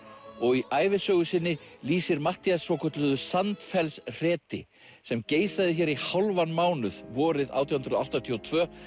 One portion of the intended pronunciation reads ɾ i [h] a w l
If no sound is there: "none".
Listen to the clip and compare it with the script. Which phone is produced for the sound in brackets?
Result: h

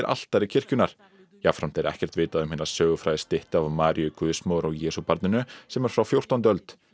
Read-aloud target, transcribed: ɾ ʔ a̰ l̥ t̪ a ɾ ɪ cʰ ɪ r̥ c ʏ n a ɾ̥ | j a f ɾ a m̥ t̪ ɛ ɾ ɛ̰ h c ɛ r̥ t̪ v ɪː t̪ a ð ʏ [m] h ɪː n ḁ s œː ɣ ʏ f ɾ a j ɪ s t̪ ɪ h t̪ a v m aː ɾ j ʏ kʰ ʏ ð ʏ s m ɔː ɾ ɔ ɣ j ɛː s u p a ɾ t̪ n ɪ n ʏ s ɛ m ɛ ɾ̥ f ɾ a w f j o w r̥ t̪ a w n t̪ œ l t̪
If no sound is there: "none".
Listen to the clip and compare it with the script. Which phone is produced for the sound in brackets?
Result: m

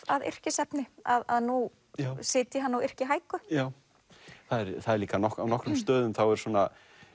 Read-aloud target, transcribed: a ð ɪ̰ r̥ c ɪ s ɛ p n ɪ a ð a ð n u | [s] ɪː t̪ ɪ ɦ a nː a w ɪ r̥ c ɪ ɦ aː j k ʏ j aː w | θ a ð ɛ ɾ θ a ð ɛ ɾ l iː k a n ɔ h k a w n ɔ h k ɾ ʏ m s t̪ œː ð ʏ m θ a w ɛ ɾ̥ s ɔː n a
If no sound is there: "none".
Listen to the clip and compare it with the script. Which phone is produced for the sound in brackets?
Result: s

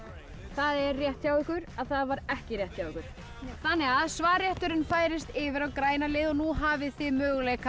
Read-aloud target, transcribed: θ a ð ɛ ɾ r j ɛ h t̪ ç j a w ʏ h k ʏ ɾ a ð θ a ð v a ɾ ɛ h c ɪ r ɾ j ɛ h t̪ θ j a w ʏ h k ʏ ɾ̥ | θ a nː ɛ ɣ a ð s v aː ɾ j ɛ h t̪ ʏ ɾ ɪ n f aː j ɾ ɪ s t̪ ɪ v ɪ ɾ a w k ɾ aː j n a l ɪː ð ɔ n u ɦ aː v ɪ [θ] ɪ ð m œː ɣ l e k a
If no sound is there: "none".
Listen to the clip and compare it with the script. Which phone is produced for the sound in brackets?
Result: θ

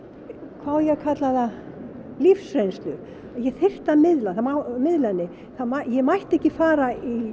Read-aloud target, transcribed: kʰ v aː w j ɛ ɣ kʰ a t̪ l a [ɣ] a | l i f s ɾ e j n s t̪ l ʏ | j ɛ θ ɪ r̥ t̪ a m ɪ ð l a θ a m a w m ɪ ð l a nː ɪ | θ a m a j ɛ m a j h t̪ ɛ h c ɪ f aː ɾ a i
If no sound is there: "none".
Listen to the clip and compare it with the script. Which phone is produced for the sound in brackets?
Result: ð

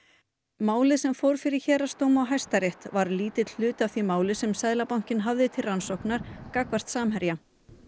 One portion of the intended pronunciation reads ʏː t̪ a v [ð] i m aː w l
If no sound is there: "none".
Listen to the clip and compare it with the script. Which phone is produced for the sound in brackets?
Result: θ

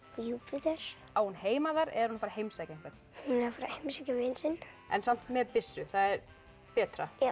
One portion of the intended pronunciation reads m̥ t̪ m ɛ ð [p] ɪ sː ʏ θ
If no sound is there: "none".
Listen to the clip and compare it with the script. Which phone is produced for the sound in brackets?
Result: p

